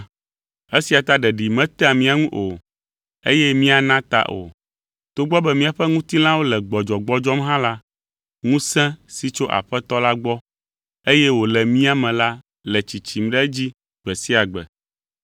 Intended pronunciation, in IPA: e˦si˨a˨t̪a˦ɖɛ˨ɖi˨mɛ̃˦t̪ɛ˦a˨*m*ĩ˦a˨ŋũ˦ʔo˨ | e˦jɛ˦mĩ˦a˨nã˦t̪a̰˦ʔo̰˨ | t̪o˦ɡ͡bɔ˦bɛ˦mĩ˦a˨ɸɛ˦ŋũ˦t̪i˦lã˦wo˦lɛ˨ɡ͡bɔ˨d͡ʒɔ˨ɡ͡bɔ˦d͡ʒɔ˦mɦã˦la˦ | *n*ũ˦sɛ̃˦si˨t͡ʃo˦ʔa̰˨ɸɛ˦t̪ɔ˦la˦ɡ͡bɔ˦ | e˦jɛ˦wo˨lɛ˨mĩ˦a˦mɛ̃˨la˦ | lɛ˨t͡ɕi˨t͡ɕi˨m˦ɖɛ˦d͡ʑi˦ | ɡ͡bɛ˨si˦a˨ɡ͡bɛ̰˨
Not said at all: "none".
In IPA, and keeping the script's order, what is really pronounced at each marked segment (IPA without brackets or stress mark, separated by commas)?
m, ŋ